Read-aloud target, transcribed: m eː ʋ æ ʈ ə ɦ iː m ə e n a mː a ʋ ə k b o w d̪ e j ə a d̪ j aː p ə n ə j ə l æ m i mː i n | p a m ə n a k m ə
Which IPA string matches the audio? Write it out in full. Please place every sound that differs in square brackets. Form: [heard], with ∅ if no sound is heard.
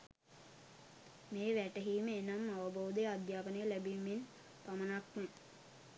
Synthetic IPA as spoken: m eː ʋ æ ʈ ə ɦ iː m ə e n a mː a ʋ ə [∅] b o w d̪ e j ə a d̪ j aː p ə n ə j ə l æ [b] i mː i n | p a m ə n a k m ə